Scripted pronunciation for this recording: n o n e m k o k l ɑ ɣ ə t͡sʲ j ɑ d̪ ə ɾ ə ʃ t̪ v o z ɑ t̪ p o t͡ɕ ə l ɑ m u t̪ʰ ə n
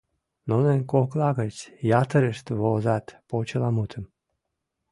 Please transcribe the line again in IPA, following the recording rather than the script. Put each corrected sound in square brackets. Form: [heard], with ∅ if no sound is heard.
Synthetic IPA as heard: n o n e [n] k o k l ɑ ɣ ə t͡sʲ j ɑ [t̪] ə ɾ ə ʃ t̪ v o z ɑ t̪ p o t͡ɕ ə l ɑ m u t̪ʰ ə [m]